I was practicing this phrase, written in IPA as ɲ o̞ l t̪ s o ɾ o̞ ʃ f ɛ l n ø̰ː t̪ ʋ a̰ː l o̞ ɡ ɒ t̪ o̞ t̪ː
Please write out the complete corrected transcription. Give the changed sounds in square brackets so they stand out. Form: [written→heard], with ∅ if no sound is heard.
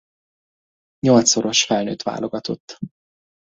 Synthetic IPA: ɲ o̞ l t̪ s o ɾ o̞ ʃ f ɛ l n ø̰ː t̪ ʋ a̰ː l o̞ ɡ ɒ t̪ o̞ t̪ː